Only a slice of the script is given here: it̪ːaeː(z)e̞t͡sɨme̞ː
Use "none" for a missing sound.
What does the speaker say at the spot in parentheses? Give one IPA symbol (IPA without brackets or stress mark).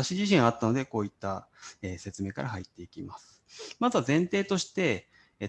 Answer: s